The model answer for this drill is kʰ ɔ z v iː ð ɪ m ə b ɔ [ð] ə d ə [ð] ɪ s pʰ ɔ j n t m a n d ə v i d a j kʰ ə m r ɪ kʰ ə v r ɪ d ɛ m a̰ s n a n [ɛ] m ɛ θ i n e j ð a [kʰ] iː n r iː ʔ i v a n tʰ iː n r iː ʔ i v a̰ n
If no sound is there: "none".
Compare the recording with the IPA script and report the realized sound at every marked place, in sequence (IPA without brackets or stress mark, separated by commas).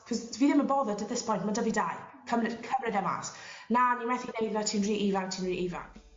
ð, ð, i, tʰ